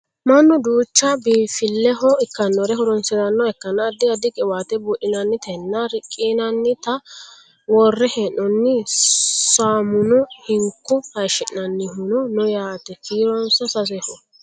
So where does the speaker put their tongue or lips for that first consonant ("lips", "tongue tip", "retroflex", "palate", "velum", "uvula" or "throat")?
lips